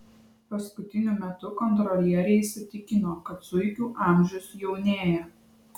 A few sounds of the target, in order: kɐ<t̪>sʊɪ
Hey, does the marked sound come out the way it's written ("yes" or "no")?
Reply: yes